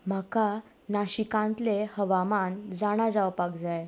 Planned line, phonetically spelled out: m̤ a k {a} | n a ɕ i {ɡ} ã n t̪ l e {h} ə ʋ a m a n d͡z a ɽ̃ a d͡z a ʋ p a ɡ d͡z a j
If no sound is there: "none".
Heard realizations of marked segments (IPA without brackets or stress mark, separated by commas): a, k, h